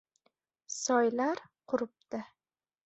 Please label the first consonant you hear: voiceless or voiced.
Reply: voiceless